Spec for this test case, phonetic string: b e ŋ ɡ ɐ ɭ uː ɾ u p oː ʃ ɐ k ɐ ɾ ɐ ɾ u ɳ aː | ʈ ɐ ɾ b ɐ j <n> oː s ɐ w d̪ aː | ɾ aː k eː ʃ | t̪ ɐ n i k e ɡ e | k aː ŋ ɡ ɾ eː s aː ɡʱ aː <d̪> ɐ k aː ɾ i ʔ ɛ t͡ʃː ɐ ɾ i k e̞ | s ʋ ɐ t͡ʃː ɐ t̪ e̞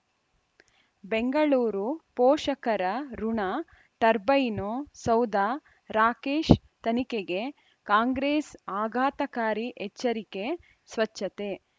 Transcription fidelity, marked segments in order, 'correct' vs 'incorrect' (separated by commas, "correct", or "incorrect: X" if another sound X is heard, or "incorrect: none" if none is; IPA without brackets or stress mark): correct, incorrect: t̪